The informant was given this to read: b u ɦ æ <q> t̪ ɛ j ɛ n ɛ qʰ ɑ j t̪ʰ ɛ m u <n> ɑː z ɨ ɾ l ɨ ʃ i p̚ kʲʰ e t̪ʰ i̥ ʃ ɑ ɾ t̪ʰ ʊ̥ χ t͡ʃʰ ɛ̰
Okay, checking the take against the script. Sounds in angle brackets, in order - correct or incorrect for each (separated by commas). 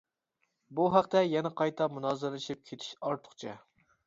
correct, correct